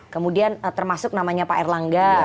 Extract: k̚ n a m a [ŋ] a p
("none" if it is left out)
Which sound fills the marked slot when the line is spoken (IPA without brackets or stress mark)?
ɲ